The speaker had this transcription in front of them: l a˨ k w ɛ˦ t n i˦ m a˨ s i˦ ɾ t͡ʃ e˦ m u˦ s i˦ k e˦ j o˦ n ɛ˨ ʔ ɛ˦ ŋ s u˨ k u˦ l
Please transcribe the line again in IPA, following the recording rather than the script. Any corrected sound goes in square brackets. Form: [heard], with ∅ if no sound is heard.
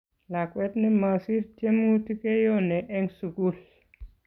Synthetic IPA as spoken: l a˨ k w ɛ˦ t n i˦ m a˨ s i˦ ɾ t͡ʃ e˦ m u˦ [t] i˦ k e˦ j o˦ n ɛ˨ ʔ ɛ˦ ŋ s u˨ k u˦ l